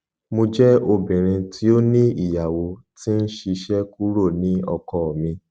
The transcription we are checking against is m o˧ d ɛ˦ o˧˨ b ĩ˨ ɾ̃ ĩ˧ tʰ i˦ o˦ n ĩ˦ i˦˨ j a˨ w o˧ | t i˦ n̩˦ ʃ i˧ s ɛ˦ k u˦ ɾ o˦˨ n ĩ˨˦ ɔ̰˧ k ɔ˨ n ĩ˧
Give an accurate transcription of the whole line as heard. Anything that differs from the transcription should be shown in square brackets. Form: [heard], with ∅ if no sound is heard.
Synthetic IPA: m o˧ [d͡ʒ] ɛ˦ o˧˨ b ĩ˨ ɾ̃ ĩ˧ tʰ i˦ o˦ n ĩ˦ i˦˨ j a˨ w o˧ | t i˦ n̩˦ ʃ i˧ [ʃ] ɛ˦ k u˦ ɾ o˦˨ n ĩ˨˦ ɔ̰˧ k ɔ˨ [m] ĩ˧